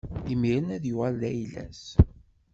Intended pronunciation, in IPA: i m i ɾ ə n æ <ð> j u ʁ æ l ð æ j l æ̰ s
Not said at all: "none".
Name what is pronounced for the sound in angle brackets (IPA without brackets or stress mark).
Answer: ð